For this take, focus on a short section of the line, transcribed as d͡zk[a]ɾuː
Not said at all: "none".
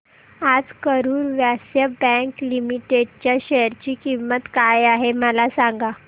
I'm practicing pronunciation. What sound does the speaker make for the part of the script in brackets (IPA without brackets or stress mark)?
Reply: ə